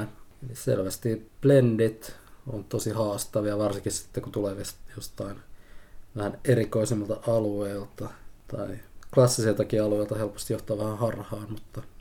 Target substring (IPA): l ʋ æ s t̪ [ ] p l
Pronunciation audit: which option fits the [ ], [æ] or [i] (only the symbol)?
i